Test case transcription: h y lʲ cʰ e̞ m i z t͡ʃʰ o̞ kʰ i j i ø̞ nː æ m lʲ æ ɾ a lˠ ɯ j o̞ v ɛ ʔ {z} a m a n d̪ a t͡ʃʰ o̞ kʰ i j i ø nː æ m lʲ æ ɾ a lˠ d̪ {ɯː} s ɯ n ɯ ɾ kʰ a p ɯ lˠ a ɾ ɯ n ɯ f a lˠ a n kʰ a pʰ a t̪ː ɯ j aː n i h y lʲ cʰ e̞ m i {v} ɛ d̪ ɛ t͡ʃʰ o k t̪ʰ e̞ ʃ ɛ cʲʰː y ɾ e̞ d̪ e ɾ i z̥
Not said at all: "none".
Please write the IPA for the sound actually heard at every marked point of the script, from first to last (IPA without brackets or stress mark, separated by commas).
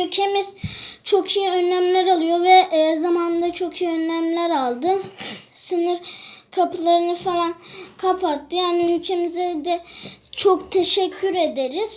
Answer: z, ɯ, z